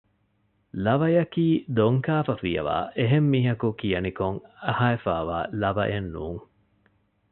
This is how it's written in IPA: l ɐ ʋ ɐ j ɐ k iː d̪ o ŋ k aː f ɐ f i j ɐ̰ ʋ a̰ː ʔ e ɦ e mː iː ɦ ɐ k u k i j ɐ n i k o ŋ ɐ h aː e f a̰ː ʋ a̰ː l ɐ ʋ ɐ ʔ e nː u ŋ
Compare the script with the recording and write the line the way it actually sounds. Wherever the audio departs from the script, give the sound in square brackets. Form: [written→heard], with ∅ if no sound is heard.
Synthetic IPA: l ɐ ʋ ɐ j ɐ k iː d̪ o ŋ k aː f ɐ f i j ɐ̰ ʋ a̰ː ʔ e ɦ e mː iː ɦ ɐ k u k i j ɐ n i k o ŋ ɐ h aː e f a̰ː ʋ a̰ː l ɐ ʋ ɐ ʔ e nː [u→uː] ŋ